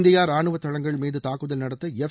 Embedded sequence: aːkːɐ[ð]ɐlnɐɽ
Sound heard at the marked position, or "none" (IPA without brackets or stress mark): ð